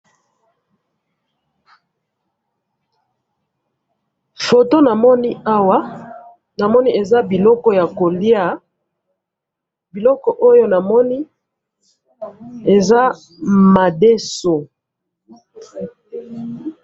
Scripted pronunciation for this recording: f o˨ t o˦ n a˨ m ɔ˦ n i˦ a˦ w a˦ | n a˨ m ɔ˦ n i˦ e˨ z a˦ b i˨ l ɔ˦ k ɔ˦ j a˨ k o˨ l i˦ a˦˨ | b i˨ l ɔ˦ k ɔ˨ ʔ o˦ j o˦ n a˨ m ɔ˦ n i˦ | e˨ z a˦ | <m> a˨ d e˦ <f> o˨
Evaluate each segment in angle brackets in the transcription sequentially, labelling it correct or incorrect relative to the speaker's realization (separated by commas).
correct, incorrect